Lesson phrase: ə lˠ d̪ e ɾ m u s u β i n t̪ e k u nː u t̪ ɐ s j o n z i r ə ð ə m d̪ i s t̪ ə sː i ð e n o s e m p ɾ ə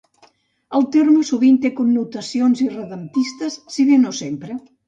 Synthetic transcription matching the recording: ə lˠ t̪ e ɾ m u s u β i n t̪ e k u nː u t̪ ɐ s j o n z i r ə ð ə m t̪ i s t̪ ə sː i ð e n o s e m p ɾ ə